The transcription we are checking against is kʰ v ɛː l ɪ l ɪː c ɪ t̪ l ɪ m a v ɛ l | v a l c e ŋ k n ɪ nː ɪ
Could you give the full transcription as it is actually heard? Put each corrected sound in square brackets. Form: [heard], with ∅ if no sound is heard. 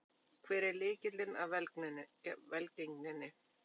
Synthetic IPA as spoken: kʰ v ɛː [ɾ] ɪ l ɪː c ɪ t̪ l ɪ [n] a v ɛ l | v [ɛ] l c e ŋ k n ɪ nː ɪ

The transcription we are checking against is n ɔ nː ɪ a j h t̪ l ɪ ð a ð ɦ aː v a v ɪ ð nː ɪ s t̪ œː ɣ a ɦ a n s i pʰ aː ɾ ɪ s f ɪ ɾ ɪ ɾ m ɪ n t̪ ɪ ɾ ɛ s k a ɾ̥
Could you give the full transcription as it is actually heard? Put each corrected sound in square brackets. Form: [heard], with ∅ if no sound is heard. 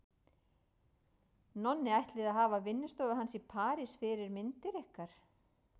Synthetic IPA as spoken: n ɔ nː ɪ a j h t̪ l ɪ ð a ð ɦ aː v a v ɪ [∅] nː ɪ s t̪ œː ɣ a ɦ a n s i pʰ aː ɾ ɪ s f ɪ ɾ ɪ ɾ m ɪ n t̪ ɪ ɾ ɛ [h] k a ɾ̥

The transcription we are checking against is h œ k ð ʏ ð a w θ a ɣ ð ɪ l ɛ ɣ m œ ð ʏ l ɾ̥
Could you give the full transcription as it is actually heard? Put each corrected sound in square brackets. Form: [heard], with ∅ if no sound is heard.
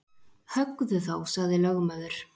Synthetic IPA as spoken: h œ k ð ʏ [θ] a w [s] a ɣ ð ɪ l [œ] ɣ m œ ð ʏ [∅] ɾ̥

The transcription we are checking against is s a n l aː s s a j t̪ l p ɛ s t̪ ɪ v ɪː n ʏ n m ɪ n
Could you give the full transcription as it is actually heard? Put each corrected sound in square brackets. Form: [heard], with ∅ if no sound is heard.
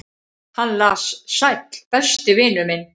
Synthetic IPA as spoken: [h] a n l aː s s a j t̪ l p ɛ s t̪ ɪ v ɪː n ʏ [∅] m ɪ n

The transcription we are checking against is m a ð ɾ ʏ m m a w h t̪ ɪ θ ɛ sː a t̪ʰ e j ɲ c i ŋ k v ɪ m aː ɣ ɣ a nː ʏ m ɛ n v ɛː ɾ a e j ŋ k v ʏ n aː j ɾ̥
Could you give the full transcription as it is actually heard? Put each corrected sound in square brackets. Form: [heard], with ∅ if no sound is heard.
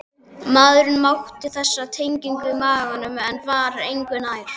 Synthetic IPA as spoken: m a ð ɾ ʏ [n] m a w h t̪ ɪ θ ɛ sː a t̪ʰ e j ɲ c i ŋ k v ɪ m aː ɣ ɣ a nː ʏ m ɛ n v [aː] ɾ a e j ŋ k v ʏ n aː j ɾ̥

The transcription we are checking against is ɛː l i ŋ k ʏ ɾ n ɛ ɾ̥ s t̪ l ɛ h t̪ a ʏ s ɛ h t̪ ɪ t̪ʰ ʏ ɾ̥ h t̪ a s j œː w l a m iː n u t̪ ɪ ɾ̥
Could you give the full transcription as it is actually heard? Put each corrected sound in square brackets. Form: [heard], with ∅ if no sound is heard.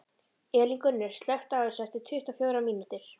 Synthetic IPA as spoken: ɛː l i ŋ k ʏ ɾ n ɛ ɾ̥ s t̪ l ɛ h t̪ a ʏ s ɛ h t̪ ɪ t̪ʰ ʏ [∅] h t̪ a [f] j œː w [ɾ] a m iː n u t̪ ɪ ɾ̥

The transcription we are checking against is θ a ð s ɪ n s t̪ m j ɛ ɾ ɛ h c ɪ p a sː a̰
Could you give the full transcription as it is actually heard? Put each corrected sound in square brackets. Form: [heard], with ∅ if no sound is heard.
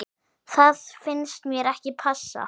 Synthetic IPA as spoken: θ a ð [f] ɪ n s t̪ m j ɛ ɾ ɛ h c ɪ [pʰ] a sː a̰

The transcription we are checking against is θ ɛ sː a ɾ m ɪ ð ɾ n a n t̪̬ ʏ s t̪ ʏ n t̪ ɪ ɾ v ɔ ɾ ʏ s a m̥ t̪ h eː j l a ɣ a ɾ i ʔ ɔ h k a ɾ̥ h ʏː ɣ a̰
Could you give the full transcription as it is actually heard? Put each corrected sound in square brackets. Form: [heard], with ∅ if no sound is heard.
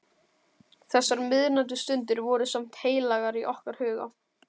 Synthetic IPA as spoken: θ ɛ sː a ɾ m ɪ ð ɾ n a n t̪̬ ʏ s t̪ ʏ n t̪ ɪ ɾ v ɔ ɾ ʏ s a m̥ t̪ h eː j l a ɣ a ɾ i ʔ ɔ h k a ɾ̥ h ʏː ɣ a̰

